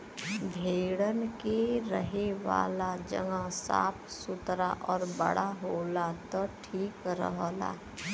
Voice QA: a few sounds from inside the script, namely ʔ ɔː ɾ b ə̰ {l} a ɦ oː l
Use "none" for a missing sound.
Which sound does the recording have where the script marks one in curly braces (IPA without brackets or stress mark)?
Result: ɽ